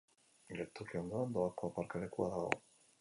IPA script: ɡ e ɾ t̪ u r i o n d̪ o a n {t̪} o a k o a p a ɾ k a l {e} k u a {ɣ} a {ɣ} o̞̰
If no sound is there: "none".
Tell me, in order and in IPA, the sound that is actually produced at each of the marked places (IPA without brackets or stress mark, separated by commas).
d̪, e, ð, ɣ